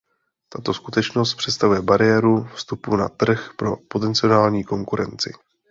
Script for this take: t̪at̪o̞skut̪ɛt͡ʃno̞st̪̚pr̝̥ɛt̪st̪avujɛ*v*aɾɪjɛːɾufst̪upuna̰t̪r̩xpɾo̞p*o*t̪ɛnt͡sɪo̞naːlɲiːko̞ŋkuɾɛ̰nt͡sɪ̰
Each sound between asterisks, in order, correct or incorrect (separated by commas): incorrect, correct